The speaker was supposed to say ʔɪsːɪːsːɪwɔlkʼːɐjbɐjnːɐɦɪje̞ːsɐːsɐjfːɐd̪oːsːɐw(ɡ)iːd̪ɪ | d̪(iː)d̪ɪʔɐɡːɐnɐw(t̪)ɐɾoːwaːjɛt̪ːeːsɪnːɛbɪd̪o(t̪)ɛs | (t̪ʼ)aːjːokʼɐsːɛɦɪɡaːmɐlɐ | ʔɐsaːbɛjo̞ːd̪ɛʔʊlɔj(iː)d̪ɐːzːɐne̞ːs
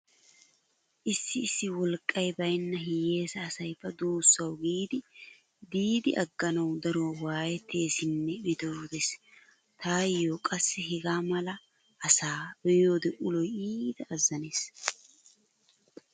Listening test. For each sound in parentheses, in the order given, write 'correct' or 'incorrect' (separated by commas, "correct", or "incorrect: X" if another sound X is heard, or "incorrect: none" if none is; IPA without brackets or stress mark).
correct, correct, incorrect: d̪, incorrect: d̪, incorrect: t̪, correct